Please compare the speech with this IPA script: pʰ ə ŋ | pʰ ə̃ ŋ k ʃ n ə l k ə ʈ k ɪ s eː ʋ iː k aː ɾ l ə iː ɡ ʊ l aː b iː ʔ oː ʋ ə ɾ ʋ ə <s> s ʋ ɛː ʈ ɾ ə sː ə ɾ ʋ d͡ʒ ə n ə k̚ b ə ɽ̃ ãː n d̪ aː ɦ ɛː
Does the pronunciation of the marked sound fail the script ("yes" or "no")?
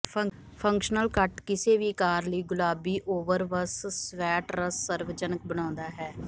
no